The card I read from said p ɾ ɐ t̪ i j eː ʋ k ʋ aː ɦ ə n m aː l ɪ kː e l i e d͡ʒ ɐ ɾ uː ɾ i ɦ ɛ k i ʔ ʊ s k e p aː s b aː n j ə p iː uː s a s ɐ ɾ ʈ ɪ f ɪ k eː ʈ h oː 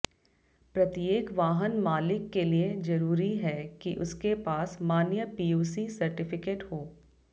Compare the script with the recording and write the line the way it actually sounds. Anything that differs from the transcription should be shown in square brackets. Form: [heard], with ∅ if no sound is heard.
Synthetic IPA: p ɾ ɐ t̪ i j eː [∅] k ʋ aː ɦ ə n m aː l ɪ kː e l i e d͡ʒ ɐ ɾ uː ɾ i ɦ ɛ k i ʔ ʊ s k e p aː s [m] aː n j ə p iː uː s [i] s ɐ ɾ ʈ ɪ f ɪ k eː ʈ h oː